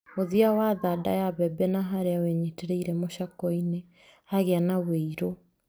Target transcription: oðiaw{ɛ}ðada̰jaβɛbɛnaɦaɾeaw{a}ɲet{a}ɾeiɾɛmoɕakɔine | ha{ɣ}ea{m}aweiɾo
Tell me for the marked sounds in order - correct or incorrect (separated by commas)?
incorrect, incorrect, incorrect, correct, incorrect